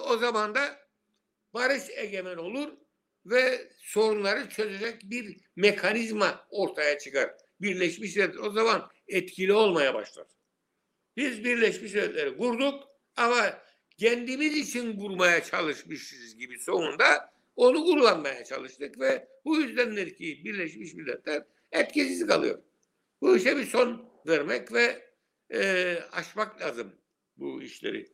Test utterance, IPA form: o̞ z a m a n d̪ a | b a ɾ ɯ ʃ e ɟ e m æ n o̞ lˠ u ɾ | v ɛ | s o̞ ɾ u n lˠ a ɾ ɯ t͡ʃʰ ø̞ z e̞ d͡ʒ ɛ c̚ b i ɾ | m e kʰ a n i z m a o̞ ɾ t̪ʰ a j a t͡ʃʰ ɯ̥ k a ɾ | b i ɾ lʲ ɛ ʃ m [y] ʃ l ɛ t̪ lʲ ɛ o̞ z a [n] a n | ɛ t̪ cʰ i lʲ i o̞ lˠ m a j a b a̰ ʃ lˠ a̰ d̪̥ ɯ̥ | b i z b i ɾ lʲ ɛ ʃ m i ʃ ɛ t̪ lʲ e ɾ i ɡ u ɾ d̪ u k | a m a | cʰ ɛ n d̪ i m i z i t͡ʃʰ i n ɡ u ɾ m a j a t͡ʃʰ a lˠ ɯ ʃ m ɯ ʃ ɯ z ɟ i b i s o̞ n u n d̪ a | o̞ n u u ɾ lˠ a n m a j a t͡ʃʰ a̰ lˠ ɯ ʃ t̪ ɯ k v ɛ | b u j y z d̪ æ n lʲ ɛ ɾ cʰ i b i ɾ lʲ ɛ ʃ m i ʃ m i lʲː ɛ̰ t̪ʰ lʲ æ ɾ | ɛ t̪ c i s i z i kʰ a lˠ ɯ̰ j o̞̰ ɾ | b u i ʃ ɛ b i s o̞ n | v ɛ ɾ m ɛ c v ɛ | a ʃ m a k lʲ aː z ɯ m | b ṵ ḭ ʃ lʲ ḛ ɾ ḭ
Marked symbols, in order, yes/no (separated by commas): no, no